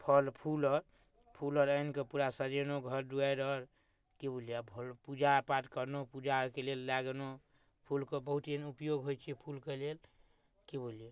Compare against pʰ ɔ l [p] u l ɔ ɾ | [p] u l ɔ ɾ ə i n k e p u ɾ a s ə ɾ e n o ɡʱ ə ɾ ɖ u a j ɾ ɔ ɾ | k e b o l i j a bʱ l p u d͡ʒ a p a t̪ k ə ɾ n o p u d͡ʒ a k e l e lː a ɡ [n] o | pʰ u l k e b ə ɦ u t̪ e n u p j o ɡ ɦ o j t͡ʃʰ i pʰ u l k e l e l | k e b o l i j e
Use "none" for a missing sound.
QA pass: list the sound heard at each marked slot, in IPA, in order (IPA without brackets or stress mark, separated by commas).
pʰ, pʰ, n